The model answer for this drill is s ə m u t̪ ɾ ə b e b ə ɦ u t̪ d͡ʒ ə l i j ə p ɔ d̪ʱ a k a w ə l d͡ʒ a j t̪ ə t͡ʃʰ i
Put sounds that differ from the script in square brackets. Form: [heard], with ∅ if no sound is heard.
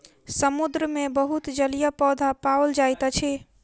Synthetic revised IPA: s ə m u [d̪] ɾ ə [m] e b ə ɦ u t̪ d͡ʒ ə l i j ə p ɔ d̪ʱ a [p] a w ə l d͡ʒ a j t̪ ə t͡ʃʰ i

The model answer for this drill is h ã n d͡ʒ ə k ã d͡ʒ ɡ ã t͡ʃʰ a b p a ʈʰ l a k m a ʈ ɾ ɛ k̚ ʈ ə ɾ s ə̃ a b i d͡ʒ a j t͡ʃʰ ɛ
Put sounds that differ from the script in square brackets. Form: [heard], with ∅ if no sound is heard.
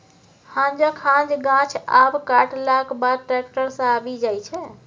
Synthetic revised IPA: h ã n d͡ʒ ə [kʰ] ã d͡ʒ ɡ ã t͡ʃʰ a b [k] a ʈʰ l a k [b] a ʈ ɾ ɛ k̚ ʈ ə ɾ s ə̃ a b i d͡ʒ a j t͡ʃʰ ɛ

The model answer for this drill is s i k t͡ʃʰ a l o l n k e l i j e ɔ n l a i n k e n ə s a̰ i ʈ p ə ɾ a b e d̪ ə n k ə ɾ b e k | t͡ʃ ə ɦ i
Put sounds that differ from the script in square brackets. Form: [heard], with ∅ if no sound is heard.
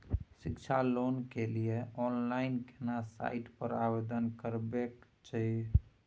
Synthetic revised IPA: s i k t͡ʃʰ a l o [∅] n k e l i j e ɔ n l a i n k e n [a] s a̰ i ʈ p ə ɾ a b e d̪ ə n k ə ɾ b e k | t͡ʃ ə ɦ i

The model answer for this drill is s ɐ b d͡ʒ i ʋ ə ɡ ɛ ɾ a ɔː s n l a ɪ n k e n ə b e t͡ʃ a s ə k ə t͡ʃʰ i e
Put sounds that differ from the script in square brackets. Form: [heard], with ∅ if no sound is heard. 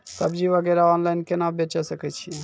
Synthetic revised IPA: s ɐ b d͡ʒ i ʋ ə ɡ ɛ ɾ a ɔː [∅] n l a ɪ n k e n [a] b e t͡ʃ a s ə k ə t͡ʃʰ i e

